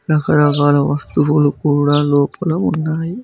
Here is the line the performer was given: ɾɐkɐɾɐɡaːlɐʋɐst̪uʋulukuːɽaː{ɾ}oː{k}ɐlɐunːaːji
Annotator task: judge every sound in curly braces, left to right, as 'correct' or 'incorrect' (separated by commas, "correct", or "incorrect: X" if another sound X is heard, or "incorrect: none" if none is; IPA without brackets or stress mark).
incorrect: l, incorrect: p